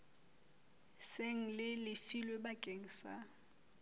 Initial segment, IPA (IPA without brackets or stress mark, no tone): s